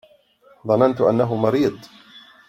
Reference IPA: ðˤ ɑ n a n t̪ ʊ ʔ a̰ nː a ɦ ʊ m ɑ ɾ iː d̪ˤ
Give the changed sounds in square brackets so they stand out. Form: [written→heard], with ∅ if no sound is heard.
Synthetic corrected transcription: ðˤ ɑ n a n t̪ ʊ ʔ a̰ nː a ɦ ʊ m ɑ ɾ iː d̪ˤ